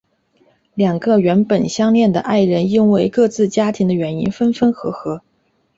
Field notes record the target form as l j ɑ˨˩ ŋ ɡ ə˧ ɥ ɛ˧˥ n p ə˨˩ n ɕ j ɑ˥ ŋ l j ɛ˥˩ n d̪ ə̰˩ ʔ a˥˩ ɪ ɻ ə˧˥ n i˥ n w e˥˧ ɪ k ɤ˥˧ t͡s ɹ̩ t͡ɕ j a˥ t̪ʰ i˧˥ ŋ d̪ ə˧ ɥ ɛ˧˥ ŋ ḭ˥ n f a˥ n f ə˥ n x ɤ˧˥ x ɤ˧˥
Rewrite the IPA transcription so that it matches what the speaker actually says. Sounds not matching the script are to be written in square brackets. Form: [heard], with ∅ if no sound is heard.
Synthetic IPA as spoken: l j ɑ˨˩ ŋ ɡ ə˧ ɥ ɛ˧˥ n p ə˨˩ n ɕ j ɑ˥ ŋ l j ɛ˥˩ n d̪ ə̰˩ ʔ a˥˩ ɪ ɻ ə˧˥ n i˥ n w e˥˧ ɪ k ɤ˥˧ t͡s ɹ̩ t͡ɕ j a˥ t̪ʰ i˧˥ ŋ d̪ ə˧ ɥ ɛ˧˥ [n] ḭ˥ n f [ə˥] n f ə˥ n x ɤ˧˥ x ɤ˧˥

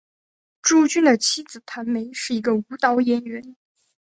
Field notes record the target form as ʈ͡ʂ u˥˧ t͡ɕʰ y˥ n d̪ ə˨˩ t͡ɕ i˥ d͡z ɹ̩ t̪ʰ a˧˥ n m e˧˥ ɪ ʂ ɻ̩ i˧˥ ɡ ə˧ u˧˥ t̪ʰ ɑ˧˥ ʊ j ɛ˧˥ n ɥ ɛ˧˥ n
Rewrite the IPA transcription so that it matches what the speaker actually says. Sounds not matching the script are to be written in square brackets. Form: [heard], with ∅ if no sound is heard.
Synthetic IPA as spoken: ʈ͡ʂ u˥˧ [t͡ɕ] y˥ n d̪ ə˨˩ [t͡ɕʰ] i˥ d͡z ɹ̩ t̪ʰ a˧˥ n m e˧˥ ɪ ʂ ɻ̩ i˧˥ ɡ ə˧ u˧˥ [t̪] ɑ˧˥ ʊ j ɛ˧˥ n ɥ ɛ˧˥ n

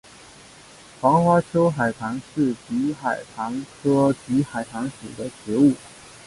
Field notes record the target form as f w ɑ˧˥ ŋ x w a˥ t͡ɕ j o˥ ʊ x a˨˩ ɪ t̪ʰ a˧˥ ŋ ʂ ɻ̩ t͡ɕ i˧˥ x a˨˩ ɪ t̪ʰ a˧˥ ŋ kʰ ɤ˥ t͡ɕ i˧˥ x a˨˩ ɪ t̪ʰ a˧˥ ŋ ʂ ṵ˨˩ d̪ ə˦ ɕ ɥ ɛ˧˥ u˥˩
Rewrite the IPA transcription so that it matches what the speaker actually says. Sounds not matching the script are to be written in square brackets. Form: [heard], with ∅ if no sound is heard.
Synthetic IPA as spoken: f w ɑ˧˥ ŋ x w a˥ [t͡ɕʰ] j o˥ ʊ x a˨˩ ɪ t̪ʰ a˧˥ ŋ ʂ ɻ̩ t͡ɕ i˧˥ x a˨˩ ɪ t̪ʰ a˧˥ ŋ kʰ ɤ˥ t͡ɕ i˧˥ x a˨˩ ɪ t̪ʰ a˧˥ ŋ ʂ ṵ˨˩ d̪ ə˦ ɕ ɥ ɛ˧˥ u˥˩

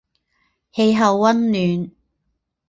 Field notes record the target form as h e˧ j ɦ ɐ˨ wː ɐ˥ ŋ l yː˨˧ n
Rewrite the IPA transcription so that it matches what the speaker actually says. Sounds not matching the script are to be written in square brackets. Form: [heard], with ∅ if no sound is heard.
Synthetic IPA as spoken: h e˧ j ɦ ɐ˨ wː ɐ˥ [n] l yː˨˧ n

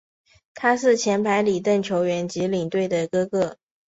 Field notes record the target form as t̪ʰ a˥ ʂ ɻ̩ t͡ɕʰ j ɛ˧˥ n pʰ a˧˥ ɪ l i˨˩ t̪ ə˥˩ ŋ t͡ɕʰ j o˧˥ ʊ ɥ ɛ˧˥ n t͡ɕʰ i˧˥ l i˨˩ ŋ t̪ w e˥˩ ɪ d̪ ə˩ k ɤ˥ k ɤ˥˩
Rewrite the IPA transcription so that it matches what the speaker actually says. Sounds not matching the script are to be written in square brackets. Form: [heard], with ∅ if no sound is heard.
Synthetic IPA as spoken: t̪ʰ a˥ ʂ ɻ̩ t͡ɕʰ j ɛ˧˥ n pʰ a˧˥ ɪ l i˨˩ t̪ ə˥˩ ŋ t͡ɕʰ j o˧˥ ʊ ɥ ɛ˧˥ n [t͡ɕ] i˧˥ l i˨˩ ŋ t̪ w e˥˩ ɪ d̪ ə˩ k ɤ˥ k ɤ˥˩

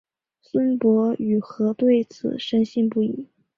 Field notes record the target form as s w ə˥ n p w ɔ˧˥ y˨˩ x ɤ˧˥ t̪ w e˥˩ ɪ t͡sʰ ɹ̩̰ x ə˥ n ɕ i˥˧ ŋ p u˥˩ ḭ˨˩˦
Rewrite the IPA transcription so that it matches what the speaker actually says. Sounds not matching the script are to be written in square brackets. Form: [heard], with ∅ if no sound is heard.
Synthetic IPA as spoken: s w ə˥ n p w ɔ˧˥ y˨˩ x ɤ˧˥ t̪ w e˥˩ ɪ t͡sʰ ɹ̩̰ [ʂ] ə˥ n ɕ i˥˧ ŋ p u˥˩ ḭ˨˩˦

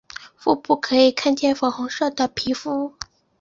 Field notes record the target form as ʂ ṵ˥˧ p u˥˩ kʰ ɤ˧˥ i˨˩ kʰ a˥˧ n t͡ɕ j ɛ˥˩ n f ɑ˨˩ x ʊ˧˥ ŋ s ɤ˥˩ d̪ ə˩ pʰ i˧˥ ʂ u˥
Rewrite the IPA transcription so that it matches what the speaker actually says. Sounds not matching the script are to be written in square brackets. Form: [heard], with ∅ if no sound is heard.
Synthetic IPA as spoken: [f] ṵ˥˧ p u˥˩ kʰ ɤ˧˥ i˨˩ kʰ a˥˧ n t͡ɕ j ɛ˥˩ n f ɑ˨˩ x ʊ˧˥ ŋ [ʂ] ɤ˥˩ d̪ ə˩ pʰ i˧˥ [f] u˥

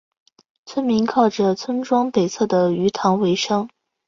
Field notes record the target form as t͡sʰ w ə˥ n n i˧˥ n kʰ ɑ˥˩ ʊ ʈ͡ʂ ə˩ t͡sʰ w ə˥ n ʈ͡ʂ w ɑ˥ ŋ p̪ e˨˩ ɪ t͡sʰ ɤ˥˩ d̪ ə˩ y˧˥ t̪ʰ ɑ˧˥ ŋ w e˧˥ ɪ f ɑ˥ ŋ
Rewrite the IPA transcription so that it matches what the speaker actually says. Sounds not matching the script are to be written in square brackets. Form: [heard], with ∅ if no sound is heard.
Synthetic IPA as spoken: t͡sʰ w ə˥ n [m] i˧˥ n kʰ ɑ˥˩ ʊ ʈ͡ʂ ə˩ t͡sʰ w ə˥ n ʈ͡ʂ w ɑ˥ ŋ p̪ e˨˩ ɪ t͡sʰ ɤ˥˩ d̪ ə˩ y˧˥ t̪ʰ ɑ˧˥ ŋ w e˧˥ ɪ [ʂ] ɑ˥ ŋ

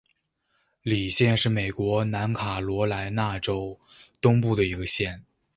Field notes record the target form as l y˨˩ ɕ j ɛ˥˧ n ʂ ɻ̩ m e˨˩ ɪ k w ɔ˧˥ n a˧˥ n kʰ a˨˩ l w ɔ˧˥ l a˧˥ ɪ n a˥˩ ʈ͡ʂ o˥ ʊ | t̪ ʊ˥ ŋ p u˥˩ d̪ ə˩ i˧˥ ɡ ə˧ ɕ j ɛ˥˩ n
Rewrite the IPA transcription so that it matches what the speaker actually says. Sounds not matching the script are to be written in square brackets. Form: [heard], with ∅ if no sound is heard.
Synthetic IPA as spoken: l [i˨˩] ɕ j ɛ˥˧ n ʂ ɻ̩ m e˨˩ ɪ k w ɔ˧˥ n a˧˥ n kʰ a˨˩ l w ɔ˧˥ l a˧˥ ɪ n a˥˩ ʈ͡ʂ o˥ ʊ | t̪ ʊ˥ ŋ p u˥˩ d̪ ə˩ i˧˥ ɡ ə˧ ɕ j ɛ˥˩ n

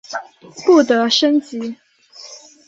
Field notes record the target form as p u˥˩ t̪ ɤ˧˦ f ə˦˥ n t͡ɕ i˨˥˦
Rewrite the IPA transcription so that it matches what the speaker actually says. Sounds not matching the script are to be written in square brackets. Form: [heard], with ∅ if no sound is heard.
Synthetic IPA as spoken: p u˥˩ t̪ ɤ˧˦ [ʂ] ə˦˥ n t͡ɕ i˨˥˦

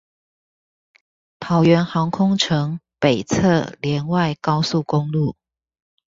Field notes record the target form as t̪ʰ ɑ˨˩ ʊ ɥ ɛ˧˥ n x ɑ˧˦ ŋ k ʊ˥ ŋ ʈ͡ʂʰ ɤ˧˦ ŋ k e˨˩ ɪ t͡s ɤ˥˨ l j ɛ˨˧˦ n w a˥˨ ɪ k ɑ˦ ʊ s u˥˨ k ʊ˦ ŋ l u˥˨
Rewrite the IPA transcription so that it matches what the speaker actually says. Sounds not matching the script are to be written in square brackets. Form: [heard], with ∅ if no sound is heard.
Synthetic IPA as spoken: t̪ʰ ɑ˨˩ ʊ ɥ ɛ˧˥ n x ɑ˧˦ ŋ [kʰ] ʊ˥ ŋ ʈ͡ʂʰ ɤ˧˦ ŋ [p] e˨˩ ɪ [t͡sʰ] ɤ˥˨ l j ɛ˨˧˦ n w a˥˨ ɪ k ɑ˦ ʊ s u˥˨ k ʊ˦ ŋ l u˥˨

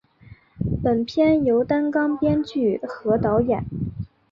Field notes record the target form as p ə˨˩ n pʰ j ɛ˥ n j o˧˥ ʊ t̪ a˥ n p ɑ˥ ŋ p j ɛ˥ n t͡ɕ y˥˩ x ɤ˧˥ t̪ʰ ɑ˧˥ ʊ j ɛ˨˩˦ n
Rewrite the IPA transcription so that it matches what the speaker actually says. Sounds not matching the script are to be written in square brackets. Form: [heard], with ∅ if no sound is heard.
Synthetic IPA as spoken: p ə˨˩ n pʰ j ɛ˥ n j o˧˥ ʊ t̪ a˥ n [k] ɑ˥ ŋ p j ɛ˥ n t͡ɕ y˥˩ x ɤ˧˥ [t̪] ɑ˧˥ ʊ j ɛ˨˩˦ n

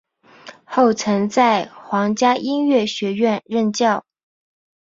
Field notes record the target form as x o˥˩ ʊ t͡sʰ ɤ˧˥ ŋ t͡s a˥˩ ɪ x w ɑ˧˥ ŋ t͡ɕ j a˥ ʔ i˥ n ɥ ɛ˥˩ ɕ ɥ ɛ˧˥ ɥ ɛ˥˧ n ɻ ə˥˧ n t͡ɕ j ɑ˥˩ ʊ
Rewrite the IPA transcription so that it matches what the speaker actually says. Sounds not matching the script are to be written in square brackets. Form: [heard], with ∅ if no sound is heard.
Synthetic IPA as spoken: x o˥˩ ʊ t͡sʰ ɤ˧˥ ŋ t͡s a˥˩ ɪ x w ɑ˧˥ ŋ t͡ɕ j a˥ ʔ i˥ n ɥ ɛ˥˩ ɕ ɥ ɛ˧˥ ɥ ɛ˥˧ n ɻ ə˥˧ n t͡ɕ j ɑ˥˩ ʊ

